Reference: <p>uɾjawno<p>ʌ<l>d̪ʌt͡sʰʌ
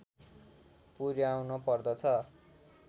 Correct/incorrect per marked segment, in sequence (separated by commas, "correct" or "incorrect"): correct, correct, incorrect